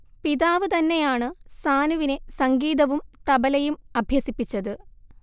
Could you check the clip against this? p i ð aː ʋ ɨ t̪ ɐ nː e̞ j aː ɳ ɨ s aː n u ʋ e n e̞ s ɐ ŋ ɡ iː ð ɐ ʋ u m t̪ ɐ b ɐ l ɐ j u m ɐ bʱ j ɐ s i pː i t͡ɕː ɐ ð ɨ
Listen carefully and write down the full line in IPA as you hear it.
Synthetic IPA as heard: p i ð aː ʋ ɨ t̪ ɐ nː e̞ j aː ɳ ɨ s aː n u ʋ i n e̞ s ɐ ŋ ɡ iː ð ɐ ʋ u m t̪ ɐ b ɐ l ɐ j u m ɐ bʱ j ɐ s i pː i t͡ɕː ɐ ð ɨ

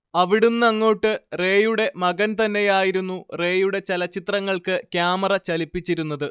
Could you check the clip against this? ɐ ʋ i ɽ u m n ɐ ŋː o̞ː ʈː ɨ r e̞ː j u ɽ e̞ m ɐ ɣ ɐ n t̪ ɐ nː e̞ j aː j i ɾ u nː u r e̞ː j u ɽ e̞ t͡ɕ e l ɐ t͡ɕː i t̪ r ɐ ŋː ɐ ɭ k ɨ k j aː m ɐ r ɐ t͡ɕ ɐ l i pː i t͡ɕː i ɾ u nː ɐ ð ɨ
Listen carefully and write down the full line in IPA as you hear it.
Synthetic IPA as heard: ɐ ʋ i ɽ u m n ɐ ŋː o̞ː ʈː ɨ r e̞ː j u ɽ e̞ m ɐ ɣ ɐ n t̪ ɐ nː e̞ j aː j i ɾ u nː u r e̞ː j u ɽ e̞ t͡ɕ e l ɐ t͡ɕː i t̪ r ɐ ŋː ɐ ɭ k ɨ k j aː m ɐ r ɐ t͡ɕ ɐ l i pː i t͡ɕː i ɾ u nː ɐ ð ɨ

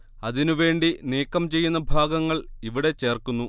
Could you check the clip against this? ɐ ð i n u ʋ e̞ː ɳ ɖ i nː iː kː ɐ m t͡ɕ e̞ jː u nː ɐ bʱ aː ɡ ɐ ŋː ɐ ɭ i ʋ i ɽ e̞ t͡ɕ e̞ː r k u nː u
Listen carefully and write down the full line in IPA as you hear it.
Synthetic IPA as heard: ɐ ð i n u ʋ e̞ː ɳ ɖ i n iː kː ɐ m t͡ɕ e̞ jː u nː ɐ bʱ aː ɡ ɐ ŋː ɐ ɭ i ʋ i ɽ e̞ t͡ɕ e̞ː r k u nː u

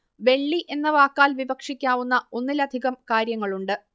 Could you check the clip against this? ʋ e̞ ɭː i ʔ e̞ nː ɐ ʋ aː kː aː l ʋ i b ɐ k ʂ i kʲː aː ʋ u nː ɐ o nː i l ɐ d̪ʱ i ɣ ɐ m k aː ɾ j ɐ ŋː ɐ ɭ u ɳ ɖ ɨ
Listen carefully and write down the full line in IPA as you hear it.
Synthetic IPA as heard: ʋ e̞ ɭː i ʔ e̞ nː ɐ ʋ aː kː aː l ʋ i b ɐ k ʂ i kʲː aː ʋ u nː ɐ o nː i l ɐ d̪ʱ i ɣ ɐ m k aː ɾ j ɐ ŋː ɐ ɭ u ɳ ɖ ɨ

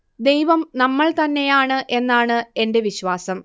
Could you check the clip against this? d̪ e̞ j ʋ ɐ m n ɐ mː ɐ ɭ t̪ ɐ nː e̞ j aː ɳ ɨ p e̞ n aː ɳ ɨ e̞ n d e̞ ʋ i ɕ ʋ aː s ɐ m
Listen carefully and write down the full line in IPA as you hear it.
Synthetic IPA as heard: d̪ e̞ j ʋ ɐ m n ɐ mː ɐ ɭ t̪ ɐ nː e̞ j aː ɳ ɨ ʔ e̞ nː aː ɳ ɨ e̞ n d e̞ ʋ i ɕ ʋ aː s ɐ m

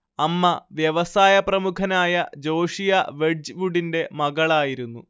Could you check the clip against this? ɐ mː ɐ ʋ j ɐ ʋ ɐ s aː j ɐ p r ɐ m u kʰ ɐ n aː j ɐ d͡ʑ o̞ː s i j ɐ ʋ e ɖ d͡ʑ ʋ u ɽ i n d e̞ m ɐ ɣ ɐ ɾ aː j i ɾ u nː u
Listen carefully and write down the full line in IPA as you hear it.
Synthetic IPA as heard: ɐ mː ɐ ʋ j ɐ ʋ ɐ s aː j ɐ p r ɐ m u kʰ ɐ n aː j ɐ d͡ʑ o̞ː ʂ i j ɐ ʋ e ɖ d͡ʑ ʋ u ɽ i n d e̞ m ɐ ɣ ɐ ɭ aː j i ɾ u nː u

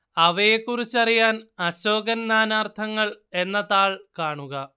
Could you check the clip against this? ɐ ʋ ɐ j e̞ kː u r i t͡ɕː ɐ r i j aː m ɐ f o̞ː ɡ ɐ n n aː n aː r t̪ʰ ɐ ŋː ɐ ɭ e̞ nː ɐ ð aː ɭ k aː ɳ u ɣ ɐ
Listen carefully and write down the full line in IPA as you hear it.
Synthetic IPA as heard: ɐ ʋ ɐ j e̞ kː u r i t͡ɕː ɐ r i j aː n ɐ ɕ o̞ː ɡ ɐ n n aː n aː r t̪ʰ ɐ ŋː ɐ ɭ e̞ nː ɐ ð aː ɭ k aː ɳ u ɣ ɐ

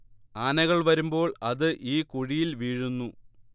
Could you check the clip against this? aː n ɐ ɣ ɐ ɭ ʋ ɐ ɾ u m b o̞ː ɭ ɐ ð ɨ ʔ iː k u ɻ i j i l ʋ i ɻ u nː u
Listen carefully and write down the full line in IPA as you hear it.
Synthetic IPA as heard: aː n ɐ ɣ ɐ ɭ ʋ ɐ ɾ u m b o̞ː ɭ ɐ ð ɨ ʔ iː k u ɻ i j i l ʋ iː ɻ u nː u

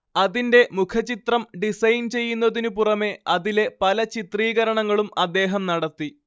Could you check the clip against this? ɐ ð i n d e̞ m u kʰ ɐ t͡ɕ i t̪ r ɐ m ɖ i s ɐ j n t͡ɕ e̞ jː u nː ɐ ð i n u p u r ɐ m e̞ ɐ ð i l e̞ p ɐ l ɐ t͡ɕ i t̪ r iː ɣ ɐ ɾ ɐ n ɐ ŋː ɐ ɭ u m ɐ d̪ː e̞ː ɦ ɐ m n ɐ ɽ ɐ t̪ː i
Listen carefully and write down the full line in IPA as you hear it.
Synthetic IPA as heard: ɐ ð i n d e̞ m u kʰ ɐ t͡ɕ i t̪ r ɐ m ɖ i s ɐ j n t͡ɕ e̞ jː u nː ɐ ð i n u p u r ɐ m e̞ ɐ ð i l e̞ p ɐ l ɐ t͡ɕ i t̪ r iː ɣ ɐ ɾ ɐ ɳ ɐ ŋː ɐ ɭ u m ɐ d̪ː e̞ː ɦ ɐ m n ɐ ɽ ɐ t̪ː i

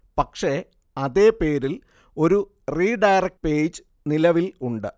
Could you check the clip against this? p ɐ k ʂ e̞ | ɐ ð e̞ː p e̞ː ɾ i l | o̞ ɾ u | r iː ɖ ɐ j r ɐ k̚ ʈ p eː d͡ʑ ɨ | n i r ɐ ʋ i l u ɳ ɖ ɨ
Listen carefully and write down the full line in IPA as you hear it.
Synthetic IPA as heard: p ɐ k ʂ e̞ | ɐ ð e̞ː p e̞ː ɾ i l | o̞ ɾ u | r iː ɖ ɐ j r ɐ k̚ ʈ p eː d͡ʑ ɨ | n i l ɐ ʋ i l u ɳ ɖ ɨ

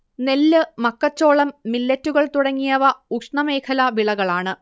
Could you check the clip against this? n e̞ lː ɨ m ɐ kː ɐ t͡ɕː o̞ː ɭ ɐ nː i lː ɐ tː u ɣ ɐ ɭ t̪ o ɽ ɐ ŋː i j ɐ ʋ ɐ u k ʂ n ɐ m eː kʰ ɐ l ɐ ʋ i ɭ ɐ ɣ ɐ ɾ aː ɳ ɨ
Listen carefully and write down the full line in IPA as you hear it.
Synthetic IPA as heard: n e̞ lː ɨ m ɐ kː ɐ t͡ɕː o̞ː ɭ ɐ mː i lː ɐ tː u ɣ ɐ ɭ t̪ u ɽ ɐ ŋː i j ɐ ʋ ɐ u k ʂ ɳ ɐ m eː kʰ ɐ l ɐ ʋ i ɭ ɐ ɣ ɐ ɭ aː ɳ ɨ

